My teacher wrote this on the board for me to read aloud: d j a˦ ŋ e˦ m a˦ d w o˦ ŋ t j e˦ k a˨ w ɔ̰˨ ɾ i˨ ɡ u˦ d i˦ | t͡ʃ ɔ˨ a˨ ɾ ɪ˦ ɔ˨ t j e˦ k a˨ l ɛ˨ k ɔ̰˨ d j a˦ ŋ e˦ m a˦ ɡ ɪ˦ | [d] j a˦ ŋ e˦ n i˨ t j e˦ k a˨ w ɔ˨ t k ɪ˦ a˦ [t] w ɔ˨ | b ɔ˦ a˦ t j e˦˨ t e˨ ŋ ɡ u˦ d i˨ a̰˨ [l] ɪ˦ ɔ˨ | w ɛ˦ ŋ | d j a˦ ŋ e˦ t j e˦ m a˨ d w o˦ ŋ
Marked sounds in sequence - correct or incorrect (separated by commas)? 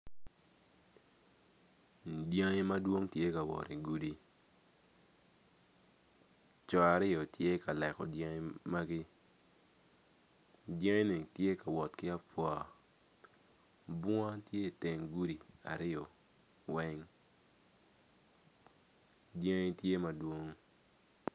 correct, incorrect, incorrect